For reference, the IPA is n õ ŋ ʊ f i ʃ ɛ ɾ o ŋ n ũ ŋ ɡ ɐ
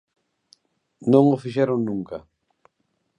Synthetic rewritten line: n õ ŋ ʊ f i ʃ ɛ ɾ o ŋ n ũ ŋ k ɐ